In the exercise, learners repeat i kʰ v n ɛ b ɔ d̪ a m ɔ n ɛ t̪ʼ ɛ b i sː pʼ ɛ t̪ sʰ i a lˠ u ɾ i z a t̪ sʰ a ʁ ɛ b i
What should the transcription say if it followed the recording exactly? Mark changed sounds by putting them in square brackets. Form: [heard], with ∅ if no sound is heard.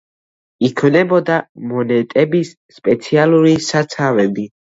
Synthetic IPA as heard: i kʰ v n ɛ b ɔ d̪ a m ɔ n ɛ t̪ʼ ɛ b i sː pʼ ɛ t̪ sʰ i a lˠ u ɾ i [s] a t̪ sʰ a [v] ɛ b i

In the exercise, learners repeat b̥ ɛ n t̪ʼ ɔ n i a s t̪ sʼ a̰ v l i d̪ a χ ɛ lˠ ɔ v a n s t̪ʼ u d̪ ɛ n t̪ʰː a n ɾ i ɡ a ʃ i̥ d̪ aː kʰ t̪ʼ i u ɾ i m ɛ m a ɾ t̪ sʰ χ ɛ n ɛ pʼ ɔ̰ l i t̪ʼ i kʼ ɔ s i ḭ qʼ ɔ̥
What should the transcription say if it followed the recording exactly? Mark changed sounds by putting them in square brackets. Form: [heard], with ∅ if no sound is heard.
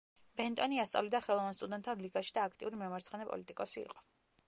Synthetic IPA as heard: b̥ ɛ n t̪ʼ ɔ n i a s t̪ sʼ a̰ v l i d̪ a χ ɛ lˠ ɔ v a n s t̪ʼ u d̪ ɛ n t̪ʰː a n [l] i ɡ a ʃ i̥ d̪ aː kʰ t̪ʼ i u ɾ i m ɛ m a ɾ t̪ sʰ χ ɛ n ɛ pʼ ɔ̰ l i t̪ʼ i kʼ ɔ s i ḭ qʼ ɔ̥

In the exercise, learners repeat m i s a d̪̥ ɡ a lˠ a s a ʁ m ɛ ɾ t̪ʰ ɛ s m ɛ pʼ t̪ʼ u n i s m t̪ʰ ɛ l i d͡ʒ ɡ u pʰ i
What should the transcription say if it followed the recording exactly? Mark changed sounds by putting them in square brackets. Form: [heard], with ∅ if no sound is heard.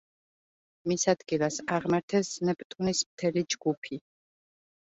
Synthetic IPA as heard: m i s a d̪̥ ɡ [i] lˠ a s a ʁ m [a] ɾ t̪ʰ ɛ s [n] ɛ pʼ t̪ʼ u n i s m t̪ʰ ɛ l i d͡ʒ ɡ u pʰ i

